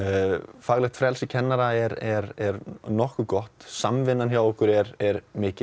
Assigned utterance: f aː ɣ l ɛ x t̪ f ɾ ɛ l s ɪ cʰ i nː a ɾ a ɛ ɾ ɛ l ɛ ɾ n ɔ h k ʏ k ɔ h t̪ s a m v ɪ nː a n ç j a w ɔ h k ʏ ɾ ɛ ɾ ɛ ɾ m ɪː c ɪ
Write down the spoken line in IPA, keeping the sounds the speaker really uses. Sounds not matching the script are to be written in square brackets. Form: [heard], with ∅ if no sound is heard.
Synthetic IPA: f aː ɣ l ɛ x t̪ f ɾ ɛ l s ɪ cʰ [ɛ] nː a ɾ a ɛ ɾ ɛ [ɾ] ɛ ɾ n ɔ h k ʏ k ɔ h t̪ s a m v ɪ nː a n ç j a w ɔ h k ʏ ɾ ɛ ɾ ɛ ɾ m ɪː c ɪ

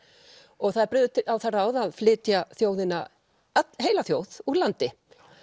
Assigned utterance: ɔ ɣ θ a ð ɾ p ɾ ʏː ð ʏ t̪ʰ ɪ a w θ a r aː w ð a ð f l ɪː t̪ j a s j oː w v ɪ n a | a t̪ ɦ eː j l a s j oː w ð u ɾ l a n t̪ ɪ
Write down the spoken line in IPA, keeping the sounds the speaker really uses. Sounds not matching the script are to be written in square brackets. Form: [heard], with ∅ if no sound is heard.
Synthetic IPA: ɔ ɣ θ a ð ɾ p ɾ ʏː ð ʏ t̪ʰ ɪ a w θ a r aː w ð a ð f l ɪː t̪ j a [θ] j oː w [ð] ɪ n a | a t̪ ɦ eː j l a [θ] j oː w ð u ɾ l a n t̪ ɪ

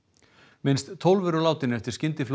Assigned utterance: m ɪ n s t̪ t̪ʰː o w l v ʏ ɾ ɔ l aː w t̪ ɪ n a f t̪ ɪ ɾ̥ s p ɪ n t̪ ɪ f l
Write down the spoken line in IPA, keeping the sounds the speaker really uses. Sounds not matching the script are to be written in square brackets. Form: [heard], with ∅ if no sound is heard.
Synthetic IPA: m ɪ n s t̪ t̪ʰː o w l v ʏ ɾ ɔ l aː w t̪ ɪ n [ɛ] f t̪ ɪ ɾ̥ s [c] ɪ n t̪ ɪ f l

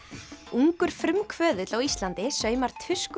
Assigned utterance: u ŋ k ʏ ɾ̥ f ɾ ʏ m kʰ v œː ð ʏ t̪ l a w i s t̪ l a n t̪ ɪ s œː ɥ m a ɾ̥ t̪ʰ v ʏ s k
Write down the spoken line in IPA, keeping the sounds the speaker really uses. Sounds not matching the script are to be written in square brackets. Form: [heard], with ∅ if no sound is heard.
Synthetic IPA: u ŋ k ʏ ɾ̥ f ɾ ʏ m kʰ v œː ð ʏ t̪ l a w i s t̪ l a n t̪ ɪ s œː ɥ m a ɾ̥ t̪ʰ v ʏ s k

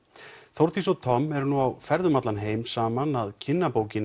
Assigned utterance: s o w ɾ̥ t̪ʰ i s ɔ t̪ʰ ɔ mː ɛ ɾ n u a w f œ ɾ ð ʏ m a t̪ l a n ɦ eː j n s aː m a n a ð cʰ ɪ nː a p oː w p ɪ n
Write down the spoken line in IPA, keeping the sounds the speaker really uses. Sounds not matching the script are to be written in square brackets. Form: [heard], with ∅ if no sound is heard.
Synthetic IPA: [θ] o w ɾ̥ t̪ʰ i s ɔ t̪ʰ ɔ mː ɛ ɾ n u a w f [ɛ] ɾ ð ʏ m a t̪ l a n ɦ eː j [m] s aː m a n a ð cʰ ɪ nː a p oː w [c] ɪ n

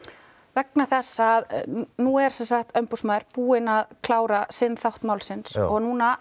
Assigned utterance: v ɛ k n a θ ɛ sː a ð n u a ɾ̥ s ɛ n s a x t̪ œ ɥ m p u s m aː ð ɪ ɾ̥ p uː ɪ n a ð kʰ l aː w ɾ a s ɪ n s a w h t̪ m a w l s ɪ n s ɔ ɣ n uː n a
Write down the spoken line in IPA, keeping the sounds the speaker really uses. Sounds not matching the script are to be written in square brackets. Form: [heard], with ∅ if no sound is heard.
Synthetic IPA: v ɛ k n a θ ɛ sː a ð n u [ɛ] ɾ̥ s ɛ n s a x t̪ œ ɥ m p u s m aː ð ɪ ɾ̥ p uː ɪ n a ð kʰ l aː w ɾ a s ɪ n [θ] a w h t̪ m a w l s ɪ n s ɔ ɣ n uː n a

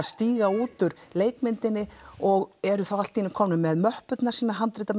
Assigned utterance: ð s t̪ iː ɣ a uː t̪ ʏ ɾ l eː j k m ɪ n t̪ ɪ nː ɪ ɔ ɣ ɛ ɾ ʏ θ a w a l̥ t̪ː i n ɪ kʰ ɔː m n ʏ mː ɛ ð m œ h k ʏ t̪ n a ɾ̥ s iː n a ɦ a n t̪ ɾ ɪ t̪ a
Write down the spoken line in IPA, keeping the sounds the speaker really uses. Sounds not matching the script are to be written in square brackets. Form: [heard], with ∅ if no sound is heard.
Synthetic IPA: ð s t̪ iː ɣ a uː t̪ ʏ ɾ l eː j k m ɪ n t̪ ɪ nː ɪ ɔ ɣ ɛ ɾ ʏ θ a w a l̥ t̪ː i n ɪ kʰ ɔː m n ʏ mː ɛ ð m œ h [p] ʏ t̪ n a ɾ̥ s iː n a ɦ a n t̪ ɾ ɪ t̪ a

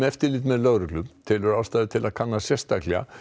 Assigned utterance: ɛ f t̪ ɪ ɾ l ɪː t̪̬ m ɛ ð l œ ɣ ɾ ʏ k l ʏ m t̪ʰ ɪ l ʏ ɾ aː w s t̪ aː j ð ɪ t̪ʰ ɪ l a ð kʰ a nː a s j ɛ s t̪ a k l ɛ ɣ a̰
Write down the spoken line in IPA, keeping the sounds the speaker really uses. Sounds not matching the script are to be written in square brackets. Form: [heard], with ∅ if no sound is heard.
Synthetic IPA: ɛ f t̪ ɪ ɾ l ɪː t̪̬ m ɛ ð l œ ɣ ɾ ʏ k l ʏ m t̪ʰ ɪ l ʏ ɾ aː w s t̪ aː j ð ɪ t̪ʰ ɪ l a ð kʰ a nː a s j ɛ s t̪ a k l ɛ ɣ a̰

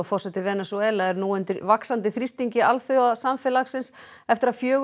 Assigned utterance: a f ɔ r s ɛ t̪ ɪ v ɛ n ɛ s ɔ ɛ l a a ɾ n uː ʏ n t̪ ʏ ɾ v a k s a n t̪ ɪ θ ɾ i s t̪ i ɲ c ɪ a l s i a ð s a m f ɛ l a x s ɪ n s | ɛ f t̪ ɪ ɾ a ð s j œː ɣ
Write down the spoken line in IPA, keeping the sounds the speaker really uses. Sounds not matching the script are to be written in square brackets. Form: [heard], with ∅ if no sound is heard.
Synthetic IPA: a f ɔ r s ɛ t̪ ɪ v ɛ n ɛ s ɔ ɛ l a [ɛ] ɾ n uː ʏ n t̪ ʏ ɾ v a k s a n t̪ ɪ θ ɾ i s t̪ i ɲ c ɪ a l [θ] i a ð s a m f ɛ l a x s ɪ n s | ɛ f t̪ ɪ ɾ a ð [f] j œː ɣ

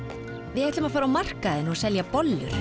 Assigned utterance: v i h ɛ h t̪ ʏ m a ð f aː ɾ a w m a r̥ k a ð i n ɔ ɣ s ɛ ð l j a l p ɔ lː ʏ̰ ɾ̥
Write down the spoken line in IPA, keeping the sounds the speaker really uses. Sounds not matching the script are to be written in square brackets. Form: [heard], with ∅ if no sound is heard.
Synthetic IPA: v [ɪ] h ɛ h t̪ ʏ m a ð f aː ɾ a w m a r̥ k a ð [ɪ] n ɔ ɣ s ɛ [∅] l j a [∅] p ɔ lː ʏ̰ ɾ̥

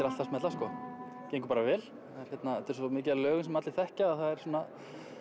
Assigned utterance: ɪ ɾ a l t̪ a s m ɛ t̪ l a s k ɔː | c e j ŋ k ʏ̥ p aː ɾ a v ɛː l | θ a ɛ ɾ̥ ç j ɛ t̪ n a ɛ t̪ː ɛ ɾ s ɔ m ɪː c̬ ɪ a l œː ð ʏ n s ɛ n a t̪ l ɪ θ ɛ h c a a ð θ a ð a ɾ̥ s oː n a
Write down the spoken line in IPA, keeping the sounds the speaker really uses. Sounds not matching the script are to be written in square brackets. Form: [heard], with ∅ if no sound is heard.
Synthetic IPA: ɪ ɾ a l t̪ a s m ɛ t̪ l a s k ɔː | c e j ŋ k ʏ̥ p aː ɾ a v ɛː l | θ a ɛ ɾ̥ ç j ɛ t̪ n a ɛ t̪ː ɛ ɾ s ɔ m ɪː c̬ ɪ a l œː [ɣ] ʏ n s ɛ [m] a t̪ l ɪ θ ɛ h c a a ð θ a ð [ɛ] ɾ̥ s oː n a

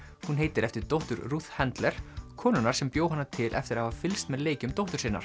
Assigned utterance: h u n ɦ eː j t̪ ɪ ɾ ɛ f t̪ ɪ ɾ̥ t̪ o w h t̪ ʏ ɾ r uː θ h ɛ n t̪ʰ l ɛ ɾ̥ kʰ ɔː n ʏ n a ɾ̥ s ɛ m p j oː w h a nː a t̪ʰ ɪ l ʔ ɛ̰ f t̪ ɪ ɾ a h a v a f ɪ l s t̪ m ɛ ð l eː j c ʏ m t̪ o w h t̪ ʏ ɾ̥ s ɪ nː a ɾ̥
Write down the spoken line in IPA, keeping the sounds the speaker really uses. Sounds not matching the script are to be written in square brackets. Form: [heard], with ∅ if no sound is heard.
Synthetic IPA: h u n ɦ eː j t̪ ɪ ɾ ɛ f t̪ ɪ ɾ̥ t̪ o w h t̪ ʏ ɾ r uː θ h ɛ n [t̪] l ɛ ɾ̥ kʰ ɔː n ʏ n a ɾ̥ s ɛ m p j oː w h a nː a t̪ʰ ɪ l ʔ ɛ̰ f t̪ ɪ ɾ a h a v a f ɪ l s t̪ m ɛ ð l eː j c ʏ m t̪ o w h t̪ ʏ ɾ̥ s ɪ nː a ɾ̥

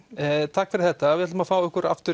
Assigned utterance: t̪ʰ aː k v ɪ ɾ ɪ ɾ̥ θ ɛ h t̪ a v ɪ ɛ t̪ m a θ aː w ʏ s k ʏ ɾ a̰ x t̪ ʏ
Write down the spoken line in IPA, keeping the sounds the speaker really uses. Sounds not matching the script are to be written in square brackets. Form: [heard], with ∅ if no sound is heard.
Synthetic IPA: t̪ʰ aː k [f] ɪ ɾ ɪ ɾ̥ θ ɛ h t̪ a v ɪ ɛ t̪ m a [f] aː w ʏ [h] k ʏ ɾ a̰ [f] t̪ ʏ

